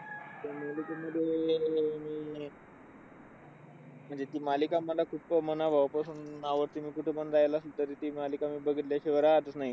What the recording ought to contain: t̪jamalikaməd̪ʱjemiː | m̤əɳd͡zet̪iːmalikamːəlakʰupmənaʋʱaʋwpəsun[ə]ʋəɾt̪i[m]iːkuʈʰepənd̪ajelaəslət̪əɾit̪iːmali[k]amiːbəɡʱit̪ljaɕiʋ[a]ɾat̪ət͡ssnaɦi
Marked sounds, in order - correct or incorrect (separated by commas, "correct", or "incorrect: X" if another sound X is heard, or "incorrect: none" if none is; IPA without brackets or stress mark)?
incorrect: a, correct, correct, incorrect: ə